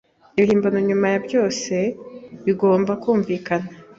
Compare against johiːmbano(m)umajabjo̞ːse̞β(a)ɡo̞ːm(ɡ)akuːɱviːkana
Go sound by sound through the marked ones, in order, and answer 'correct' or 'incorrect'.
incorrect: ɲ, incorrect: i, incorrect: b

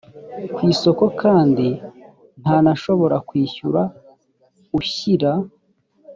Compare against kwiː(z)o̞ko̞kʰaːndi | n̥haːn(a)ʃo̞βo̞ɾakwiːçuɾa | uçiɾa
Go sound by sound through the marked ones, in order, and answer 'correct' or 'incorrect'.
incorrect: s, correct

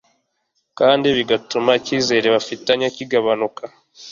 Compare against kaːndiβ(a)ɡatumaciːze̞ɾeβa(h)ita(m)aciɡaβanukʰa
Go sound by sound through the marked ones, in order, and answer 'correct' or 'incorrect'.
incorrect: i, incorrect: f, incorrect: ɲ

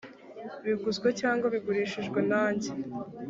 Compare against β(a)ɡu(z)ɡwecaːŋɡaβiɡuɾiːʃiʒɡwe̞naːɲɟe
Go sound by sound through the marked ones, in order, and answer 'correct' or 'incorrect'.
incorrect: i, correct

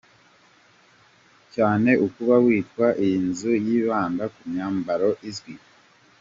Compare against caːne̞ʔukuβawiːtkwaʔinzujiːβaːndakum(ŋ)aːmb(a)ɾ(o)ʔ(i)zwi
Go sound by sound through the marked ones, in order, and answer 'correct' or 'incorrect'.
incorrect: ɲ, correct, correct, correct

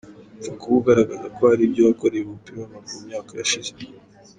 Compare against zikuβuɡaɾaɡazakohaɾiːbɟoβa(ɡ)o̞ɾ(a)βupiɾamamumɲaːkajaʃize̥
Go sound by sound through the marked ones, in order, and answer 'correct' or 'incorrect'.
incorrect: k, incorrect: e

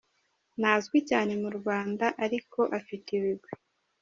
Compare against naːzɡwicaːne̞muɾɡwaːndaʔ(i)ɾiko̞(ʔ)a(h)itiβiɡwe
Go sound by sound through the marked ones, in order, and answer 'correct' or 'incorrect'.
incorrect: a, correct, incorrect: f

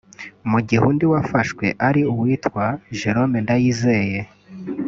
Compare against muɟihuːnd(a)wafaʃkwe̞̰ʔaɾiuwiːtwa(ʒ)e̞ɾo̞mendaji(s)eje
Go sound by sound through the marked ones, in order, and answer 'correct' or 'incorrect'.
incorrect: i, correct, incorrect: z

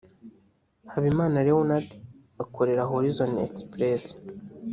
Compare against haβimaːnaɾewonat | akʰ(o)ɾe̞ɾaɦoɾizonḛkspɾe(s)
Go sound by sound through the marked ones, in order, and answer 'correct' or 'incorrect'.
correct, correct

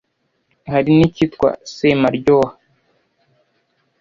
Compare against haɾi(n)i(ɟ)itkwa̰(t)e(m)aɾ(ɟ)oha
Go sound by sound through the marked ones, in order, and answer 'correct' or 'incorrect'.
correct, incorrect: c, incorrect: s, correct, correct

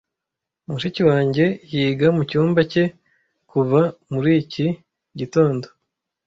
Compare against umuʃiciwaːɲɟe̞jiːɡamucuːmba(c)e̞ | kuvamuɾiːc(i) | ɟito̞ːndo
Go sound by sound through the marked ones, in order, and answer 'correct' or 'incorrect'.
correct, correct

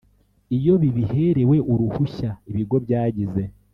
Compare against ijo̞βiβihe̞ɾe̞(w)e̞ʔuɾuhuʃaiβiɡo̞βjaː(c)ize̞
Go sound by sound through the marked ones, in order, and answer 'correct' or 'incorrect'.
correct, incorrect: ɟ

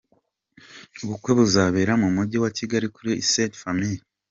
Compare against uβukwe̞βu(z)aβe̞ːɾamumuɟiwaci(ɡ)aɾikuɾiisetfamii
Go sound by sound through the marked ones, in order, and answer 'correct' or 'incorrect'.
correct, correct

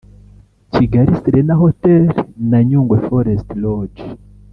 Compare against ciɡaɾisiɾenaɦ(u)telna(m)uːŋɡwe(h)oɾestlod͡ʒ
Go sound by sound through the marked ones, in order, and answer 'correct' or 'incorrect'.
incorrect: o, incorrect: ɲ, incorrect: f

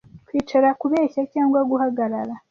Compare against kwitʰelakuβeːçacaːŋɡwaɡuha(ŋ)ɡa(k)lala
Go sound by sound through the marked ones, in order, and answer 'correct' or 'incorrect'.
incorrect: none, incorrect: none

